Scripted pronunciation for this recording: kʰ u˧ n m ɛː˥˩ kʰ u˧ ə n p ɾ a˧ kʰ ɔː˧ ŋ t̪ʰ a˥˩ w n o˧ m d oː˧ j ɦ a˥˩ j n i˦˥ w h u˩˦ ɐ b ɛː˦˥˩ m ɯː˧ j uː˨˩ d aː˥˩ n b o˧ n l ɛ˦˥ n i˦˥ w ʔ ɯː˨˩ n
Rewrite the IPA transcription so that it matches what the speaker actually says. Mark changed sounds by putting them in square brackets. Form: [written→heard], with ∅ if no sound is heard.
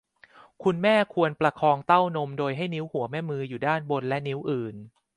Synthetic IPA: kʰ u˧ n m ɛː˥˩ kʰ u˧ ə n p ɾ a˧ kʰ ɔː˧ ŋ [t̪ʰ→t̪] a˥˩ w n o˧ m d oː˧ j ɦ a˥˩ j n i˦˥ w h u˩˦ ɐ [b→m] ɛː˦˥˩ m ɯː˧ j uː˨˩ d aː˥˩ n b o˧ n l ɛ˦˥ n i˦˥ w ʔ ɯː˨˩ n

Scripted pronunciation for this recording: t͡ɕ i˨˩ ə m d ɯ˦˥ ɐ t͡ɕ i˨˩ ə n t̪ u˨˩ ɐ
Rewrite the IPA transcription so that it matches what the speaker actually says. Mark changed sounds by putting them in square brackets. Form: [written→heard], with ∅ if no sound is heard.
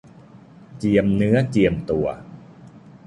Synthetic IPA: t͡ɕ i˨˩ ə m [d→n] ɯ˦˥ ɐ t͡ɕ i˨˩ ə [n→m] t̪ u˨˩ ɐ

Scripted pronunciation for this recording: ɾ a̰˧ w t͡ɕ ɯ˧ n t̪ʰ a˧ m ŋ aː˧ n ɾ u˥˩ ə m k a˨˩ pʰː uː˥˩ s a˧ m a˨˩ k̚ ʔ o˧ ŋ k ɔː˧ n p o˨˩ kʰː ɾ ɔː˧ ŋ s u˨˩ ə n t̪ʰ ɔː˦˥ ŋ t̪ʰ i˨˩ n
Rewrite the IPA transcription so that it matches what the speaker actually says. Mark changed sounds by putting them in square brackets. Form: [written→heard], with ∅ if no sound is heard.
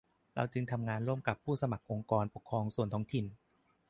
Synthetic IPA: ɾ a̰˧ w t͡ɕ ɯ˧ [n→ŋ] t̪ʰ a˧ m ŋ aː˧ n ɾ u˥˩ ə m k a˨˩ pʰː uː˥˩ s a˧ m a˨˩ k̚ ʔ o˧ ŋ k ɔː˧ n p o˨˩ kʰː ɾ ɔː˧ ŋ s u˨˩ ə n t̪ʰ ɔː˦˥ ŋ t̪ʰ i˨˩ n

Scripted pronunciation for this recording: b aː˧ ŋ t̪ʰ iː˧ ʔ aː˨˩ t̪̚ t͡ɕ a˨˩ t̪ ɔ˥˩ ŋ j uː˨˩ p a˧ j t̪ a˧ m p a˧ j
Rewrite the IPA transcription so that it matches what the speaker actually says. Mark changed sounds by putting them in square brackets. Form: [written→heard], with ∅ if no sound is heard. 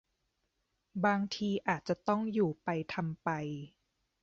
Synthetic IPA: b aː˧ ŋ t̪ʰ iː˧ ʔ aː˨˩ t̪̚ t͡ɕ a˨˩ t̪ ɔ˥˩ ŋ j uː˨˩ p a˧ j [t̪→t̪ʰ] a˧ m p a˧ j

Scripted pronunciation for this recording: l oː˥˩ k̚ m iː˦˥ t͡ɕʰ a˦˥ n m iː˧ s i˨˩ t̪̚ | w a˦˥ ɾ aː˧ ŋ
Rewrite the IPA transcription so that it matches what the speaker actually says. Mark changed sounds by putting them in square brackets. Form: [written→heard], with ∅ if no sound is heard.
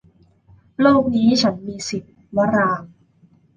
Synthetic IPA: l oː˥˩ k̚ [m→n] iː˦˥ t͡ɕʰ a˦˥ n m iː˧ s i˨˩ t̪̚ | w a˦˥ ɾ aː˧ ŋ

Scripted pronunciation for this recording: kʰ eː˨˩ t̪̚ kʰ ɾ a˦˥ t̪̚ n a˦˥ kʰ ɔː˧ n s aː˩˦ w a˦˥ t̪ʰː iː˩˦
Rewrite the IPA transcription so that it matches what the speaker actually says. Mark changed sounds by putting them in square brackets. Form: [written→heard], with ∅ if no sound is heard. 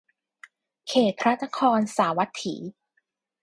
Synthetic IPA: kʰ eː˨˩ t̪̚ [kʰ→pʰ] ɾ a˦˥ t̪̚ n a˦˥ kʰ ɔː˧ n s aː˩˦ w a˦˥ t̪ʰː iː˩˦

